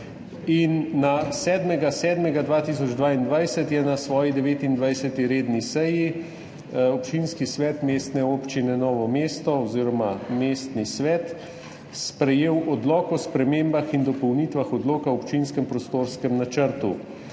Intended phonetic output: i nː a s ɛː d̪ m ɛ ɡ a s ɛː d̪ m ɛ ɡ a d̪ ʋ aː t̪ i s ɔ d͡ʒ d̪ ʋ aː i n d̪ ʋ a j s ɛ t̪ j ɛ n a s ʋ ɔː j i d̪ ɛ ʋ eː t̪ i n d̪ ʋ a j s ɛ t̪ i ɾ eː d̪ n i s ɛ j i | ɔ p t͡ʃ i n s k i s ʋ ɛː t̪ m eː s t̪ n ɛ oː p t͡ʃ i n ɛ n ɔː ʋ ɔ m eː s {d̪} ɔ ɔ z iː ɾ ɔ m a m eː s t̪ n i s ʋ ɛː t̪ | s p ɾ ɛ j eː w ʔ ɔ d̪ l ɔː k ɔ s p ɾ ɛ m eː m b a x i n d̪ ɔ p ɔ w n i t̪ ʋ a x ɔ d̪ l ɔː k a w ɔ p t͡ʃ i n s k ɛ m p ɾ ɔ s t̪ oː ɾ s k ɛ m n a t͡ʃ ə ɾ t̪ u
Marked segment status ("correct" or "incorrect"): incorrect